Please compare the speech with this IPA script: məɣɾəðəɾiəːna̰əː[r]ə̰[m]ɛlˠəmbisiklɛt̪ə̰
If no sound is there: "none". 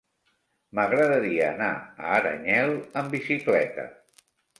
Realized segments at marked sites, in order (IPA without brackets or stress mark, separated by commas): ɾ, ɲ